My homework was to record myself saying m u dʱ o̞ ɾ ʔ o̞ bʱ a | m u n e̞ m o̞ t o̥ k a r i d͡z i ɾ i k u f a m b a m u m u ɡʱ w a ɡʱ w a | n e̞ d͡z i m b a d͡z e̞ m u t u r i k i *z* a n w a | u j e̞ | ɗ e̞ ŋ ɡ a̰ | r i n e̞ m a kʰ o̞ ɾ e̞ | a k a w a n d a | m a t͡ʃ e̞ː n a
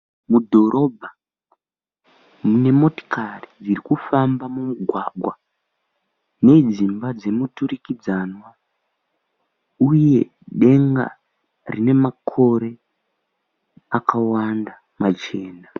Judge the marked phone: incorrect: d͡z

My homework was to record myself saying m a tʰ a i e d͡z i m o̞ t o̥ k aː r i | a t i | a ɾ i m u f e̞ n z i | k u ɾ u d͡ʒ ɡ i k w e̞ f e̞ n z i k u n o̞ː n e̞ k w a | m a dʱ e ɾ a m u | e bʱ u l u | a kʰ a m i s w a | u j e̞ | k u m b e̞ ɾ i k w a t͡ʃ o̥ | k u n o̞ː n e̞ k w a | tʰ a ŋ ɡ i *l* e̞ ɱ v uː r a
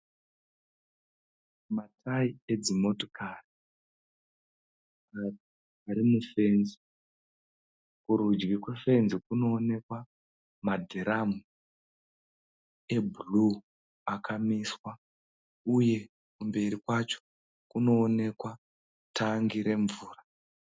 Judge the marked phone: incorrect: ɾ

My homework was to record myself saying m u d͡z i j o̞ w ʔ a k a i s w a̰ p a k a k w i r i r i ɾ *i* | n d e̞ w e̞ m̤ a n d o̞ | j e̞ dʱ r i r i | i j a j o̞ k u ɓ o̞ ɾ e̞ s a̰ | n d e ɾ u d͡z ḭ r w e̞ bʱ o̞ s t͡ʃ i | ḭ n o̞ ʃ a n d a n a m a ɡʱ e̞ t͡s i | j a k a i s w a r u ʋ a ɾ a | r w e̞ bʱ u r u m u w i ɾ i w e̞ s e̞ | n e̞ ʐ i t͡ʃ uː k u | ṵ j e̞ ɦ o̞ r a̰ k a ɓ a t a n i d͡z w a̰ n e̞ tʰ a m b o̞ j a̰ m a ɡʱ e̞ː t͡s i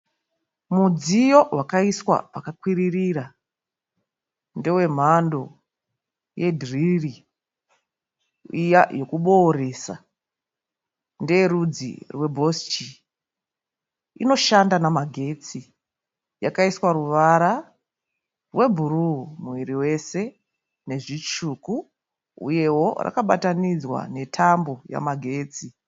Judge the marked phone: incorrect: a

